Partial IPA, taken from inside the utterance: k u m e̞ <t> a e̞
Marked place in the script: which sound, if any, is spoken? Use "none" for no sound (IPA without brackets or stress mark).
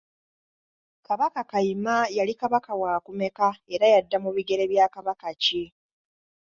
k